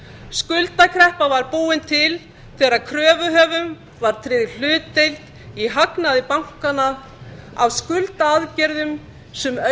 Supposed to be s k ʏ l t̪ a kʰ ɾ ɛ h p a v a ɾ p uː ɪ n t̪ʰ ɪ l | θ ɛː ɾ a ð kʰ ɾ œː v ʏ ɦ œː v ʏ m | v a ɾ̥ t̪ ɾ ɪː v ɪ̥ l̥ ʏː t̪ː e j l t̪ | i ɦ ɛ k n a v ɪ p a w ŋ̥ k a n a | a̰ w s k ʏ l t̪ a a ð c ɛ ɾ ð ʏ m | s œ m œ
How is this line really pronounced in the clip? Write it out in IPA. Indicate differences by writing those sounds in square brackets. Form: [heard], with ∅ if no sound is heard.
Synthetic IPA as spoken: s k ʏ l t̪ a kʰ ɾ ɛ h p a v a ɾ p uː ɪ n t̪ʰ ɪ l | θ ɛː ɾ a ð kʰ ɾ œː v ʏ ɦ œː v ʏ m | v a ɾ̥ [t̪ʰ] ɾ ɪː [ð] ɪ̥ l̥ ʏː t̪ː e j l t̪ | i ɦ [a] k n a [ð] ɪ p a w ŋ̥ k a n a | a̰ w s k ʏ l t̪ a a ð c ɛ ɾ ð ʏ m | s [ɛ] m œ